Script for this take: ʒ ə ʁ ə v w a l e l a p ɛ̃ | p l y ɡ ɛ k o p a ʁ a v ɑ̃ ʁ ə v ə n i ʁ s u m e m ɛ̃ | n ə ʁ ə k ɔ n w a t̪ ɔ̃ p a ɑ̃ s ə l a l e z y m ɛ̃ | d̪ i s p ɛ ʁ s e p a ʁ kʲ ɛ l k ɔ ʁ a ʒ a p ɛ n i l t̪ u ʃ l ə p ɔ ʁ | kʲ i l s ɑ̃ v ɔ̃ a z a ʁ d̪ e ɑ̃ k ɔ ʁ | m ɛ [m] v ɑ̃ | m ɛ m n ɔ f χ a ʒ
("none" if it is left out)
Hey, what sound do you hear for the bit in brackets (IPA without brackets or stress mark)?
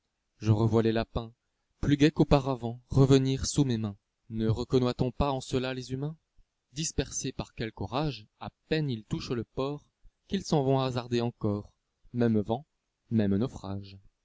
m